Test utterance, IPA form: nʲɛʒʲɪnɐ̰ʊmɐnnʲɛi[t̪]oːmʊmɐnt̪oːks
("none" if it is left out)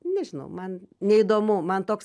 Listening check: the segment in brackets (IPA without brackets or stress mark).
d̪